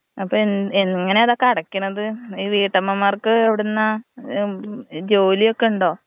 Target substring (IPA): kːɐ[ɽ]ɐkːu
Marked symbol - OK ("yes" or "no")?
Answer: yes